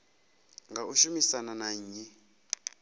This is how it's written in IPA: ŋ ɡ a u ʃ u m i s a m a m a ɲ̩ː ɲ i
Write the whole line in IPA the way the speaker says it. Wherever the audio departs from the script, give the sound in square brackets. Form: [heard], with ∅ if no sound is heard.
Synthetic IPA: ŋ ɡ a u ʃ u m i s a [n] a [n] a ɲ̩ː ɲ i